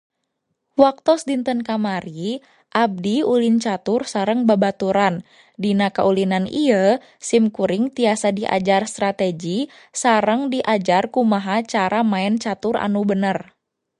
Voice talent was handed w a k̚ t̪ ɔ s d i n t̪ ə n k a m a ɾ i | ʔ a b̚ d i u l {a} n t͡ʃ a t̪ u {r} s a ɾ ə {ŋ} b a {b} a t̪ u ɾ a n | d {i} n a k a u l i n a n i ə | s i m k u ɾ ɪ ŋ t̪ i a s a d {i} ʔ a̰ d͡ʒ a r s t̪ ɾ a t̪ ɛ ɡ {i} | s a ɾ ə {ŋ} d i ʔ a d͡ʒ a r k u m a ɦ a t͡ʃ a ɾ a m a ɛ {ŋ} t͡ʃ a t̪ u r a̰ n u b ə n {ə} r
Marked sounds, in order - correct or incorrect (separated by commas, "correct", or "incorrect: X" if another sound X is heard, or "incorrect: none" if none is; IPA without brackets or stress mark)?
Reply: incorrect: i, correct, correct, correct, correct, correct, correct, correct, incorrect: n, correct